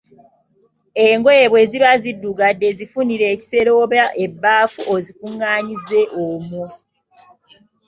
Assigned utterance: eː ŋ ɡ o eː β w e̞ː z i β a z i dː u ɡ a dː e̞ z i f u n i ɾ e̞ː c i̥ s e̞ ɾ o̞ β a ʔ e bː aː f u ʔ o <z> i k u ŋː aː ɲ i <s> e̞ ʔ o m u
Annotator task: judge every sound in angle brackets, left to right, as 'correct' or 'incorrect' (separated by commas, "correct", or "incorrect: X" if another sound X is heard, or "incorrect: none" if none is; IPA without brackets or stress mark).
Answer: correct, incorrect: z